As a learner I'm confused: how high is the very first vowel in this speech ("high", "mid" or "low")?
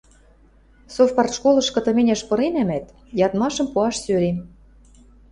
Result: mid